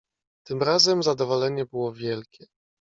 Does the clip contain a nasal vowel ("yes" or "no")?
no